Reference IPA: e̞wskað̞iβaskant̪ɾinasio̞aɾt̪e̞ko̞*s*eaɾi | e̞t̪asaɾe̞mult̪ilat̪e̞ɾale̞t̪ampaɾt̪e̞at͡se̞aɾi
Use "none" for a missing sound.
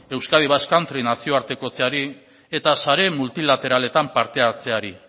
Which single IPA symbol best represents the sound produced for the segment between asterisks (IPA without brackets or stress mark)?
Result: t͡s